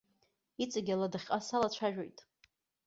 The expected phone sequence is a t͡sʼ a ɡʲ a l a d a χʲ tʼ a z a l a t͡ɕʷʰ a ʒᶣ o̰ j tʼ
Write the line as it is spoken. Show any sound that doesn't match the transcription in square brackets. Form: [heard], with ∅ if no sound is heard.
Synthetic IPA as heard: [i] t͡sʼ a ɡʲ a l a d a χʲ [qʼ] a [s] a l a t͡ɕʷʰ a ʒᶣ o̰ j tʼ